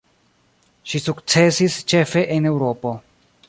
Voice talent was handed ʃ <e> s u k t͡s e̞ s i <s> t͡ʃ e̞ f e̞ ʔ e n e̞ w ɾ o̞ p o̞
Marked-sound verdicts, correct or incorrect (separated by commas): incorrect, correct